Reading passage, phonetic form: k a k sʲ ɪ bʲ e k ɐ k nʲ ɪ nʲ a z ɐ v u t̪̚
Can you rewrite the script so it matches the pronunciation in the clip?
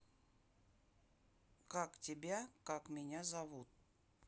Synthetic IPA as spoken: k a k tʲ ɪ bʲ a k a k mʲ ɪ nʲ a z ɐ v u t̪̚